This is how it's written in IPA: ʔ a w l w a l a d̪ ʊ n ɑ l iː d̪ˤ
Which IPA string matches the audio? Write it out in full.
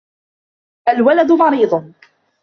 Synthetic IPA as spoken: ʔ a l w a l a d̪ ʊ m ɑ ɾ iː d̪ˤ